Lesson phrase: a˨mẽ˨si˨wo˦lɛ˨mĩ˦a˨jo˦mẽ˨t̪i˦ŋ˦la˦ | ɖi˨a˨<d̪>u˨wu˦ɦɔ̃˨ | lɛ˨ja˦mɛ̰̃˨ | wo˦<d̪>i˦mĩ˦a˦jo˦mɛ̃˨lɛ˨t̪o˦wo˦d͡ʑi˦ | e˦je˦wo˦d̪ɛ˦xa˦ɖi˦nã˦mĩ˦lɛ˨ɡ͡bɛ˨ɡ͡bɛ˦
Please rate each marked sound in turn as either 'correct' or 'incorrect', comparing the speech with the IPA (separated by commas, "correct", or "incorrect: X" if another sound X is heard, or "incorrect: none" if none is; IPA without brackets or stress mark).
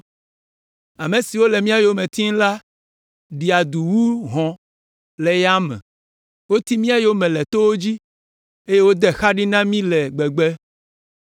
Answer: correct, incorrect: t̪